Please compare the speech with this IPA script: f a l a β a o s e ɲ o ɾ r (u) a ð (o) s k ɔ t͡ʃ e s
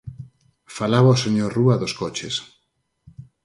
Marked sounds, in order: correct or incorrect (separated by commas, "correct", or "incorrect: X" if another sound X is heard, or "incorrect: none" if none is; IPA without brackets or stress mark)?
correct, correct